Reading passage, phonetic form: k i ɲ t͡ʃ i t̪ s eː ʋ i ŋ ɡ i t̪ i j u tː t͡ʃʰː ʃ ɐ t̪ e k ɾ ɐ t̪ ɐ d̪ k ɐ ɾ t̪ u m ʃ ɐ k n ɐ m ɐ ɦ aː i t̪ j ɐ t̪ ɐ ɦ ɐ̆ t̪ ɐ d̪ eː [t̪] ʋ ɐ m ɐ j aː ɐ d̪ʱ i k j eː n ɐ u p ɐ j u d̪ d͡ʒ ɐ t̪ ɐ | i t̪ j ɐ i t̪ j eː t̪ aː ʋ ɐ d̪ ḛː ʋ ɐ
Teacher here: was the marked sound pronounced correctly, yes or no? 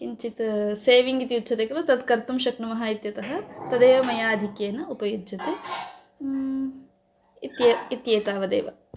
no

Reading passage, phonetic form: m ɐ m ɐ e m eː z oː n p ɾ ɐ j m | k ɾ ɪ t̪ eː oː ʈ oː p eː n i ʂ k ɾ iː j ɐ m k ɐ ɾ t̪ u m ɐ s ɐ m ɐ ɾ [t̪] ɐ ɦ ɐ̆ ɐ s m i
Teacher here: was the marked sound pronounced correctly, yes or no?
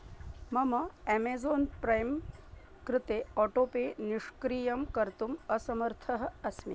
no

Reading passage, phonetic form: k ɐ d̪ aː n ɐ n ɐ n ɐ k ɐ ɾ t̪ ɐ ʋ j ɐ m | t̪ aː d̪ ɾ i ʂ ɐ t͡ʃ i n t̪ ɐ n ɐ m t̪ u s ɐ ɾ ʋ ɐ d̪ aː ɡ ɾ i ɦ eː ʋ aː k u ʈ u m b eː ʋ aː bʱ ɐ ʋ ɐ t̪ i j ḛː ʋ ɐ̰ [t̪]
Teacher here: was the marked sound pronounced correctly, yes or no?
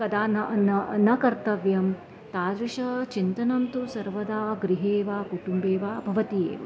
no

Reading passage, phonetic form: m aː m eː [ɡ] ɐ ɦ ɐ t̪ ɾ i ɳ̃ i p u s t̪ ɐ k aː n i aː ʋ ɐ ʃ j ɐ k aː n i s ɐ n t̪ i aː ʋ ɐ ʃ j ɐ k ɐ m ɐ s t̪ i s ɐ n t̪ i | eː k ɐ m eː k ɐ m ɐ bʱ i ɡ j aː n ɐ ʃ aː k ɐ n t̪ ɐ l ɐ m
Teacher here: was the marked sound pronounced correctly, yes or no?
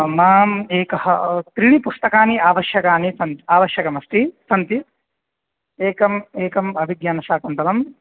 no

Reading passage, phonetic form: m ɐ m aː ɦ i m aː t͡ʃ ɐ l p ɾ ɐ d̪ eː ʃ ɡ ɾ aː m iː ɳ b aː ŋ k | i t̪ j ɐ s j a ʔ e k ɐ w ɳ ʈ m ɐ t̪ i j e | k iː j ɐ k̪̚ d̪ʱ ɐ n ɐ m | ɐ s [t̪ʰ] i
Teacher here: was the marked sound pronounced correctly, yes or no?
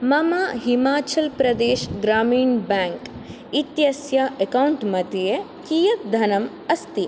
no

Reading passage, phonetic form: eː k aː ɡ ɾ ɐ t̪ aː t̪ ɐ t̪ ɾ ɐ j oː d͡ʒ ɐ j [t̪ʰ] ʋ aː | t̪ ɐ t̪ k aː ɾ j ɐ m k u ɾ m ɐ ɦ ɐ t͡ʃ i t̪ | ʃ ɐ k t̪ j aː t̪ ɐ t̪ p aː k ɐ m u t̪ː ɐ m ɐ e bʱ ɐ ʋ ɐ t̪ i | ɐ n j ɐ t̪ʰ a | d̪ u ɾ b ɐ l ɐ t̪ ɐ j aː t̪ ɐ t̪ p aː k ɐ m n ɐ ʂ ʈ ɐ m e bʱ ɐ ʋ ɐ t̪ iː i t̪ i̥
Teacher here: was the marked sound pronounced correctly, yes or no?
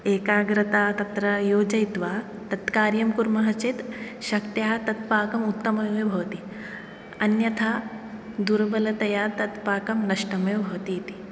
no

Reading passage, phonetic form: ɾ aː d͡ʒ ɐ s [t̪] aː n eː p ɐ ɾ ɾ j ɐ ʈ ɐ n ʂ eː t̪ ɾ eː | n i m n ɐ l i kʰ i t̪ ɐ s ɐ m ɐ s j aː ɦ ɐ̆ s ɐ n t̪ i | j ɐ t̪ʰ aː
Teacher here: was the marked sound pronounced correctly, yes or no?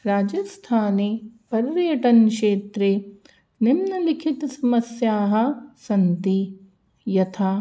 no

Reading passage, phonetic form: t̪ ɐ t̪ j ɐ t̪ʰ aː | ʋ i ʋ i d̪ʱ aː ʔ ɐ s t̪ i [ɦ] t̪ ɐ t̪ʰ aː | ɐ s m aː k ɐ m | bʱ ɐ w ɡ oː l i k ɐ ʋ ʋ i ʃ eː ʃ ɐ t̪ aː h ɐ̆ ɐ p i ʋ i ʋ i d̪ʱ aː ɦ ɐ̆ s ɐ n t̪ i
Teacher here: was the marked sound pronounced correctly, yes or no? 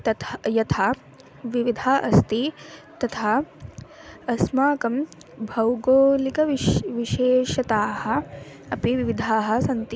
no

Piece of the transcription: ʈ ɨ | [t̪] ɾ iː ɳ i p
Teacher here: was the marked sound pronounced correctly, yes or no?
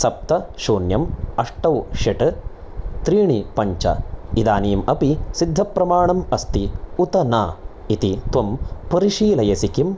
yes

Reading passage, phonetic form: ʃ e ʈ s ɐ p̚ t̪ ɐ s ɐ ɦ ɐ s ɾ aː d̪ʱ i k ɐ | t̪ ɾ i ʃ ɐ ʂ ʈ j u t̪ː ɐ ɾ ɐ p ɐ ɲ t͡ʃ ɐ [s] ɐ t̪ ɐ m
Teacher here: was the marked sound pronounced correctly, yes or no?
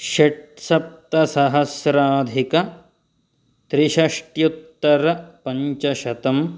no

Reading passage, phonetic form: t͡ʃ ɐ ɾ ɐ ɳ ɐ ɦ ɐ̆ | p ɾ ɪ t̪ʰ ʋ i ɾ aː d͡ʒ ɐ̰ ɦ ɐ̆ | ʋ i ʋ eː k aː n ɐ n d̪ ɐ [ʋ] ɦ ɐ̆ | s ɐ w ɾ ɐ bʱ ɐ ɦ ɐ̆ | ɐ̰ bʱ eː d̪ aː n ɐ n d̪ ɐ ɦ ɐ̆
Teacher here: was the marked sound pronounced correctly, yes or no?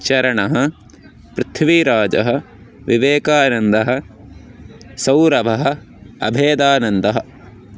no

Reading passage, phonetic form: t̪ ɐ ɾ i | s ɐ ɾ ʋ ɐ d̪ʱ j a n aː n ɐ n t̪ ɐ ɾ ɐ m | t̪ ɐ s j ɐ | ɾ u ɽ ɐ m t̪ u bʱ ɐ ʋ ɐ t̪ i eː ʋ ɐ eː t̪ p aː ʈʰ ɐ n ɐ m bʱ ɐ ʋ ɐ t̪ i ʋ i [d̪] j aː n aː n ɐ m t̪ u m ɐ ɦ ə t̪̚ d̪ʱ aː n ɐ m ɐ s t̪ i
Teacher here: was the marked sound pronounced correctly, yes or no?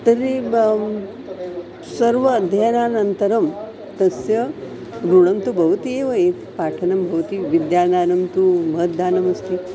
yes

